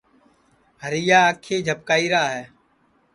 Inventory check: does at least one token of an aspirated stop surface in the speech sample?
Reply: yes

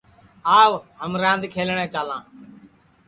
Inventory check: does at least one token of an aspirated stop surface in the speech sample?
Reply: yes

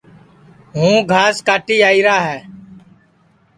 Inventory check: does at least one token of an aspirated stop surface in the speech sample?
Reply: no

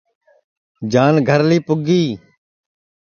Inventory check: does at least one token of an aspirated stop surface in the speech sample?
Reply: no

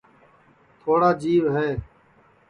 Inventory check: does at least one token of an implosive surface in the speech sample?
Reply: no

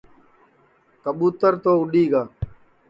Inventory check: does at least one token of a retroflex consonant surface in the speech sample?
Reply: no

